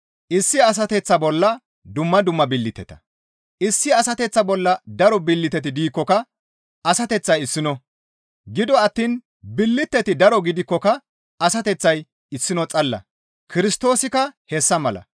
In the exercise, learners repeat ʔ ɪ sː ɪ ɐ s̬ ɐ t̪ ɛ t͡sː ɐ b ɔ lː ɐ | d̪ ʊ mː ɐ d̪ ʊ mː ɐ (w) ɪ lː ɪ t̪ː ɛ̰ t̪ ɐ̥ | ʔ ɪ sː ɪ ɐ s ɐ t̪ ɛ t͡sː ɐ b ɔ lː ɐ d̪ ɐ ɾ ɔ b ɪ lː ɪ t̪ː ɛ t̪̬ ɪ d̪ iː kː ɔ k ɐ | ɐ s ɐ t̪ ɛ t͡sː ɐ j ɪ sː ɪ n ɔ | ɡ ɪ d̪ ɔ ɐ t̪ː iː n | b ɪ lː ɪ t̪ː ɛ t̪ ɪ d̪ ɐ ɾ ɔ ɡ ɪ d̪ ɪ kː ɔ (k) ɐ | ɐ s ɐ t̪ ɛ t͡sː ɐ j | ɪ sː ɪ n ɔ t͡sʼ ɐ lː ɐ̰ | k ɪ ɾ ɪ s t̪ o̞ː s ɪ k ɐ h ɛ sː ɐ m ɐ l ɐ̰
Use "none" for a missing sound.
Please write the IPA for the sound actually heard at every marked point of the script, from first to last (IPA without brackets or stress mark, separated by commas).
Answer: b, k